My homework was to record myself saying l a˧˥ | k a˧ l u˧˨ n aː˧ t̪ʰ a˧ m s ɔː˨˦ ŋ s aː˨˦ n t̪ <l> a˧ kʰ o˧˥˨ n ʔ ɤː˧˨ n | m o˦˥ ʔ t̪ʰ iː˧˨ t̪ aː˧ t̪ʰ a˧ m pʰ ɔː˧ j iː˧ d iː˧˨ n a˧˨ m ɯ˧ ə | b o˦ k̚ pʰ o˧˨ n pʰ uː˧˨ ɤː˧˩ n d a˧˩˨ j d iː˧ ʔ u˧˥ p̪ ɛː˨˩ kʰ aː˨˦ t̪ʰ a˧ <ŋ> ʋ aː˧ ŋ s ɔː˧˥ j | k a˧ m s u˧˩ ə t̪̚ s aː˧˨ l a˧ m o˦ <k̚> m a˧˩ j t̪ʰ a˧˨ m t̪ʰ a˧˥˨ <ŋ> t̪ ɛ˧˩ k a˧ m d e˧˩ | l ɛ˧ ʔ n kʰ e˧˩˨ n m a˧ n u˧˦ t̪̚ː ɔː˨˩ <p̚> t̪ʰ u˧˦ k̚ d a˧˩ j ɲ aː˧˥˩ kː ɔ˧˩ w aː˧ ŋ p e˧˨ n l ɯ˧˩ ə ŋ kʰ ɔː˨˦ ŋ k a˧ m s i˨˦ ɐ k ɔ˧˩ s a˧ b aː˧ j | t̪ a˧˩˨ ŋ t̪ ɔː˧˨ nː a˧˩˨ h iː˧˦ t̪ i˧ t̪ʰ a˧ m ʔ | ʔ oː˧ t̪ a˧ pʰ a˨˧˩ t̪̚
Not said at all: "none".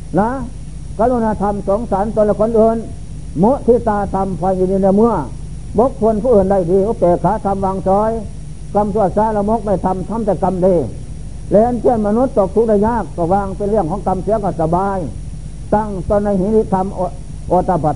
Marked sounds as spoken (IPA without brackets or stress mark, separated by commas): l, m, k̚, m, k̚